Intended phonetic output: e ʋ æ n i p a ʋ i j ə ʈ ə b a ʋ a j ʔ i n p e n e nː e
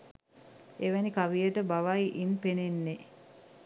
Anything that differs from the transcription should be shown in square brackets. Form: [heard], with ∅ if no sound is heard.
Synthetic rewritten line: e ʋ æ n i [k] a ʋ i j ə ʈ ə b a ʋ a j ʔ i n p e n e nː e